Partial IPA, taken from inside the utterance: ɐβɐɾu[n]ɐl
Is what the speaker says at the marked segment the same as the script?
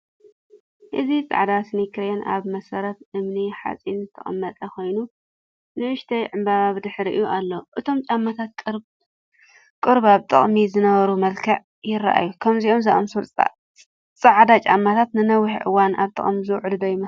no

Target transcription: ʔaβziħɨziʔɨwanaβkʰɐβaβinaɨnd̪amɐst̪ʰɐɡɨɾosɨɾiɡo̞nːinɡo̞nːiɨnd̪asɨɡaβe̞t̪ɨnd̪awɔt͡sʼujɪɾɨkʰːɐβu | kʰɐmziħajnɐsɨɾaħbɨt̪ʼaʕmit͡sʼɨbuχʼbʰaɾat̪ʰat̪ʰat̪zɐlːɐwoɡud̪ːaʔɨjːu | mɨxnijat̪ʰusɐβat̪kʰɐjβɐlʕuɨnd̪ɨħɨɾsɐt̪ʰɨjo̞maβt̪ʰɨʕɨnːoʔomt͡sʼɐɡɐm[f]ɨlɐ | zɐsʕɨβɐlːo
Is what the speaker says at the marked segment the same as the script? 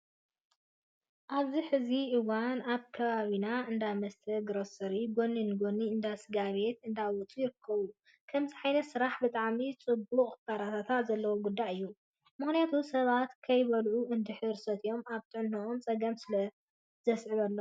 no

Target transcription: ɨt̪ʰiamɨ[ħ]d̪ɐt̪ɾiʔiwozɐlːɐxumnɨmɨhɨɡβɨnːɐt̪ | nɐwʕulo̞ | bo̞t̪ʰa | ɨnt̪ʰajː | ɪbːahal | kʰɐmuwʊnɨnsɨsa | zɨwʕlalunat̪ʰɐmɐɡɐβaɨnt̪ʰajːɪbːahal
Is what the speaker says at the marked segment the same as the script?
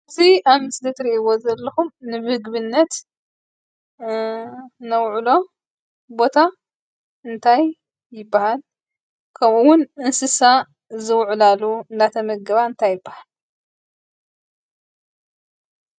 no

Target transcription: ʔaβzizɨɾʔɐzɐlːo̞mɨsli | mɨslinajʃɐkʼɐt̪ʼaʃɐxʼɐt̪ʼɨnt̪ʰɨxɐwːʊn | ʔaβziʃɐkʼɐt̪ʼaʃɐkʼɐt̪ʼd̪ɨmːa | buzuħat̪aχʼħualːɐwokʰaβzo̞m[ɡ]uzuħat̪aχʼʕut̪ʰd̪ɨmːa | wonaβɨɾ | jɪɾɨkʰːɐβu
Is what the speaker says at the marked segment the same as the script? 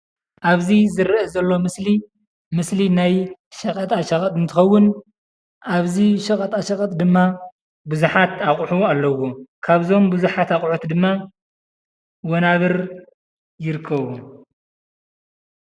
no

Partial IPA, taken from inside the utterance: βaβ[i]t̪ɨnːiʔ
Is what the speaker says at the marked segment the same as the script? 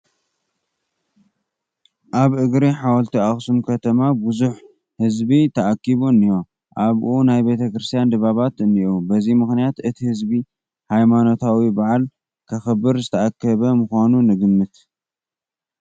no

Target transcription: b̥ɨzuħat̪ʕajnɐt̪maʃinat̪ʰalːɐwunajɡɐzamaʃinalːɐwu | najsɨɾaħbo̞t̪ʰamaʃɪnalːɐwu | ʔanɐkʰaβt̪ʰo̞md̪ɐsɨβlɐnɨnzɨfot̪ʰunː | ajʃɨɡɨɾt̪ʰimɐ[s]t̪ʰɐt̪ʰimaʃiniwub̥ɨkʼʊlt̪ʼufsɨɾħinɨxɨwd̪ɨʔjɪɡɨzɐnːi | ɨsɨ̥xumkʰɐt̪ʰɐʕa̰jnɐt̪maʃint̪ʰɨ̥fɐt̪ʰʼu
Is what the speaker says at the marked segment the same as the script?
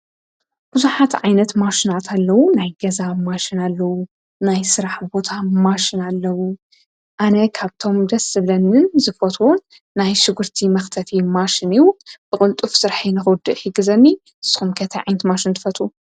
no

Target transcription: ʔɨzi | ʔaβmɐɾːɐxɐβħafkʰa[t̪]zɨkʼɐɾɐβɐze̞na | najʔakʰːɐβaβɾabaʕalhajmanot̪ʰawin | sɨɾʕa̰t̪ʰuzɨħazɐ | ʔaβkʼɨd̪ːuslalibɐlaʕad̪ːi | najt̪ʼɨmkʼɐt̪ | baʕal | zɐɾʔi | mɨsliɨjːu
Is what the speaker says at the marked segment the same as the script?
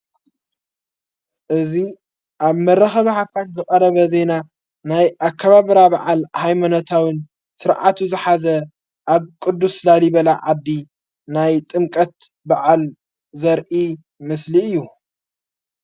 yes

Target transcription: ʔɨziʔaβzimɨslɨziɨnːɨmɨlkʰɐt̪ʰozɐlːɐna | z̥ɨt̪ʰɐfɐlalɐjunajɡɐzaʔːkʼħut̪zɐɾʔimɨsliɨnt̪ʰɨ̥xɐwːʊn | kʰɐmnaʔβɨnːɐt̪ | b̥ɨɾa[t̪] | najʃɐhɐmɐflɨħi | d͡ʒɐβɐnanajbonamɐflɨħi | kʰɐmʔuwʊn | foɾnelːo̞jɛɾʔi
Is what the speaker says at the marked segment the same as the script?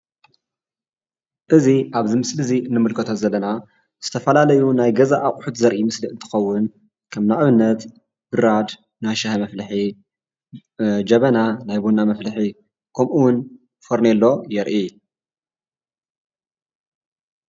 no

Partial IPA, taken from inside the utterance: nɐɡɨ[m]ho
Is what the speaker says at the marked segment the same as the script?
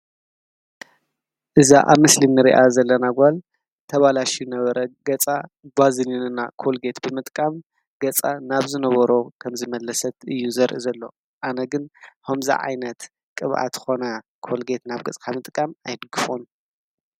no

